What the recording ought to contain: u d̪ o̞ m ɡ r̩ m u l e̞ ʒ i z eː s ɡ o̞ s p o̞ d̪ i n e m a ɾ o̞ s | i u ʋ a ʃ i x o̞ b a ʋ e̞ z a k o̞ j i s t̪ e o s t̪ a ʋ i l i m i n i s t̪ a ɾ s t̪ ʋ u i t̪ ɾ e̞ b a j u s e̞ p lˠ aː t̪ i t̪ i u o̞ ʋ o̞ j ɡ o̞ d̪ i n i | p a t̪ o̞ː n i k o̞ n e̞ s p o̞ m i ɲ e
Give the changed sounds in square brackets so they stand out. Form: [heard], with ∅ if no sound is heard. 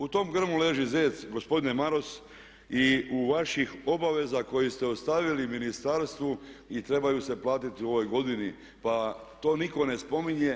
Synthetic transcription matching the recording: u [t̪] o̞ m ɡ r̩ m u l e̞ ʒ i z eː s ɡ o̞ s p o̞ d̪ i n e m a ɾ o̞ s | i u ʋ a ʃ i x o̞ b a ʋ e̞ z a k o̞ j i s t̪ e o s t̪ a ʋ i l i m i n i s t̪ a ɾ s t̪ ʋ u i t̪ ɾ e̞ b a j u s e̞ p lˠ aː t̪ i t̪ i u o̞ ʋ o̞ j ɡ o̞ d̪ i n i | p a t̪ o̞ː n i k o̞ n e̞ s p o̞ m i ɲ e